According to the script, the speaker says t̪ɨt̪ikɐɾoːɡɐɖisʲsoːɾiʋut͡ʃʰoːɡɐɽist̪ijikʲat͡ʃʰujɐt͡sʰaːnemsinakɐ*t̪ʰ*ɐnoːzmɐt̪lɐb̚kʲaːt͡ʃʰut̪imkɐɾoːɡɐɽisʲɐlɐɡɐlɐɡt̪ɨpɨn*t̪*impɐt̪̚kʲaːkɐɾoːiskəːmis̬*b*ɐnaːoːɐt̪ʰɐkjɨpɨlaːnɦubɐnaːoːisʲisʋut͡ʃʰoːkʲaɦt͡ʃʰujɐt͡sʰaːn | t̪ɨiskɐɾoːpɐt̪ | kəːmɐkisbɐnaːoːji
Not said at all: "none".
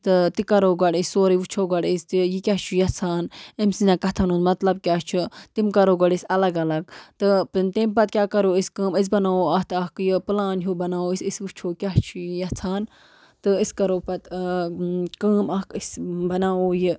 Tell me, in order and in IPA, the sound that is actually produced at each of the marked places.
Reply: t̪ʰ, t̪, b

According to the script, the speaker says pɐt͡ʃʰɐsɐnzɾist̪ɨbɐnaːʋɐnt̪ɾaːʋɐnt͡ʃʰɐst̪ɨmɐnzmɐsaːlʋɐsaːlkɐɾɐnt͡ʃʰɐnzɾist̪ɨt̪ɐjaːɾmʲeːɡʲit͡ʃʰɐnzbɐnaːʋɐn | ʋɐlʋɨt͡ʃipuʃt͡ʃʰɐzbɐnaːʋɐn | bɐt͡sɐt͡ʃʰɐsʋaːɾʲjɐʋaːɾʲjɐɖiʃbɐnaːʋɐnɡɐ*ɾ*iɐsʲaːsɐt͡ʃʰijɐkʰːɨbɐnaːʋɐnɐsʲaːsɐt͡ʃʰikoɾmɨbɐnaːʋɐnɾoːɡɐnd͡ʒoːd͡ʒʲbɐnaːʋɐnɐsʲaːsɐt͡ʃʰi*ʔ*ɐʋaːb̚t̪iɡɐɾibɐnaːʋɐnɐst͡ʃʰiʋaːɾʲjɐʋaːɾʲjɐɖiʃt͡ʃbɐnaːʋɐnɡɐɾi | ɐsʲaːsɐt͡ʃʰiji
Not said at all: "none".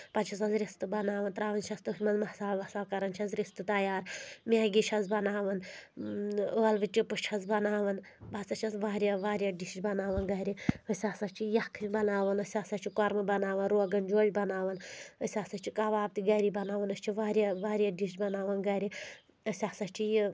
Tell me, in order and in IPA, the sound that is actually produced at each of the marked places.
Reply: ɾ, k

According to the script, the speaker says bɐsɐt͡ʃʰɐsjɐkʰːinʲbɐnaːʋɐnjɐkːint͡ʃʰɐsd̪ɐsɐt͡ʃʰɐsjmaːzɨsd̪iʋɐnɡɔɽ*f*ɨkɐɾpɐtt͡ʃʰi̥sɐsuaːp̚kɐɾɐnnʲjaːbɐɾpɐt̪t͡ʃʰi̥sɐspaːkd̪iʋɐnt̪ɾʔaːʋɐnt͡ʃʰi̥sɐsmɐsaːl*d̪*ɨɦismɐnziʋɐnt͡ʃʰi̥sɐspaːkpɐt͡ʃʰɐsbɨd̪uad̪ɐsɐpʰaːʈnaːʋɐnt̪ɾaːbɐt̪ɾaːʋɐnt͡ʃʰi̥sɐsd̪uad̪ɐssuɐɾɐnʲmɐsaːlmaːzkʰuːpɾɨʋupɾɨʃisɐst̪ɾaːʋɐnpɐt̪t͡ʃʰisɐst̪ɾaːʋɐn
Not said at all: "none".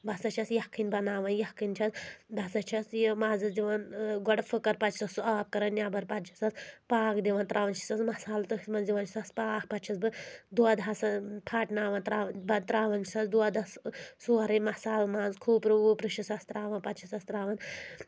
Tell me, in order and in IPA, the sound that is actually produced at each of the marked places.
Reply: f, t̪

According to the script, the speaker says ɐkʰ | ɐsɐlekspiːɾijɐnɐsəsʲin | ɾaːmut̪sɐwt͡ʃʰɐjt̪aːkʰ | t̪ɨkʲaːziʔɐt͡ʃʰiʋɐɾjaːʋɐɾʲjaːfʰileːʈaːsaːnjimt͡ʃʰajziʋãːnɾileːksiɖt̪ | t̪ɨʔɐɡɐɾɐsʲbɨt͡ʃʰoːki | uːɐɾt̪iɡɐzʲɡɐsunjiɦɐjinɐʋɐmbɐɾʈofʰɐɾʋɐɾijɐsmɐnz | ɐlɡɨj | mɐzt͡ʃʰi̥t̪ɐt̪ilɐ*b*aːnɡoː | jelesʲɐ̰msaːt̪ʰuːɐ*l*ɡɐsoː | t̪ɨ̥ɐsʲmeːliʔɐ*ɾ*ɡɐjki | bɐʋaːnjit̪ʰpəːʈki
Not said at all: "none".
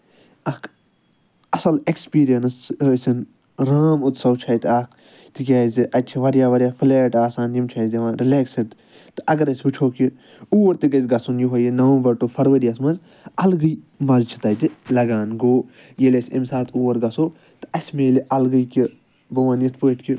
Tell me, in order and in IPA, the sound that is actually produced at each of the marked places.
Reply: ɡ, ɾ, l

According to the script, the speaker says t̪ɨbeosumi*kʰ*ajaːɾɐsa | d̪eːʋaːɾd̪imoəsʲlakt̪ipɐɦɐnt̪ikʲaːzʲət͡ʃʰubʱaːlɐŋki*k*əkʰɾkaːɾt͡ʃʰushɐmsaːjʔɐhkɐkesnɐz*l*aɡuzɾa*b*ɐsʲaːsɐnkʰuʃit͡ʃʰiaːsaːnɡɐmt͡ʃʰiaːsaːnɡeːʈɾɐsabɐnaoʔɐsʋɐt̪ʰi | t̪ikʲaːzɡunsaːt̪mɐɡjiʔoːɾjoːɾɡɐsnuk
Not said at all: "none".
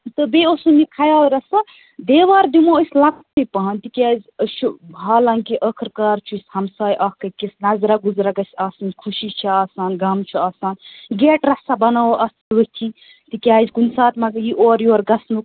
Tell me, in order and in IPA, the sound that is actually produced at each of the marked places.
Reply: kʰ, ʔ, ɾ, ɡ

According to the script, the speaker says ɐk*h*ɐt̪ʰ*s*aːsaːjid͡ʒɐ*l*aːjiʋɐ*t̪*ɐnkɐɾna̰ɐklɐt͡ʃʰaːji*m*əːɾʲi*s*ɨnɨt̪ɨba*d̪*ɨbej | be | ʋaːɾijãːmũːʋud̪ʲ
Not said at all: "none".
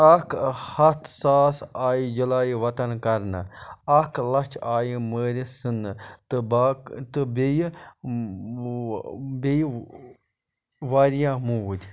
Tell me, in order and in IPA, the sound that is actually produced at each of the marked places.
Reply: h, s, l, t̪, m, s, t̪

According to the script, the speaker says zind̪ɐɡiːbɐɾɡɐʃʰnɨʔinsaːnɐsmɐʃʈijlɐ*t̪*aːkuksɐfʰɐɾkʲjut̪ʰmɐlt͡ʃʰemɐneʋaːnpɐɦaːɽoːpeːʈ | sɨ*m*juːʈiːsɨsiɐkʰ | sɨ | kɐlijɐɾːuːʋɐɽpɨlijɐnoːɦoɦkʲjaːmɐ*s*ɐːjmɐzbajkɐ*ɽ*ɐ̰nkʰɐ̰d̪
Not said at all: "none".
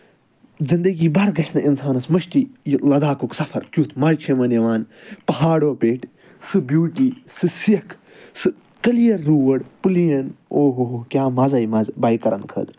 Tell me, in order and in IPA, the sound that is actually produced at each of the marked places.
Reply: d̪, b, z, ɾ

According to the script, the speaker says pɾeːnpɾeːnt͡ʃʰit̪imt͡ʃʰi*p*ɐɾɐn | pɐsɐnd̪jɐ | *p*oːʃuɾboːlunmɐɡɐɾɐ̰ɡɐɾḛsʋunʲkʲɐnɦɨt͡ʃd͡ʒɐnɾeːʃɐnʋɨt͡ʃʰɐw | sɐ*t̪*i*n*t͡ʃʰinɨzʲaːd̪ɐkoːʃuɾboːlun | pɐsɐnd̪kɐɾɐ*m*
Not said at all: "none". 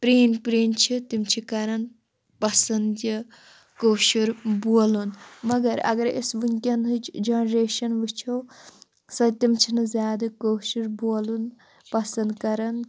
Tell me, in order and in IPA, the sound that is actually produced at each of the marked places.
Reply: k, k, t̪, m, n

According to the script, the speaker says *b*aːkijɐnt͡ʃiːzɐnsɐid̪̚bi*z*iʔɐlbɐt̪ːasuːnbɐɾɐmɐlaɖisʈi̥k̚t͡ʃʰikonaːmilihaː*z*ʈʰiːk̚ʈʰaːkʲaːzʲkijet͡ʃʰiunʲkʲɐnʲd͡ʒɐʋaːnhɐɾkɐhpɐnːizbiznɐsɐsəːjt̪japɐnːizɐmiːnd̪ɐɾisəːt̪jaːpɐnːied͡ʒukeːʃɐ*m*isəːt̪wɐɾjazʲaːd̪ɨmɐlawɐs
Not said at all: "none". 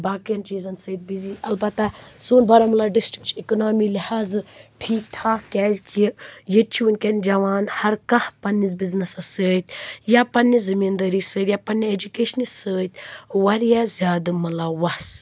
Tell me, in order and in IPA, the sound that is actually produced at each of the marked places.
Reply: b, z, z, n

